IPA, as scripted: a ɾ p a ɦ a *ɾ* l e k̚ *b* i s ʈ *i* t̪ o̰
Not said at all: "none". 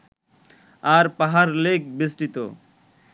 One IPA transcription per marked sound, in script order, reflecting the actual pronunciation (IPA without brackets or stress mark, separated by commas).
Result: ɾ, b, i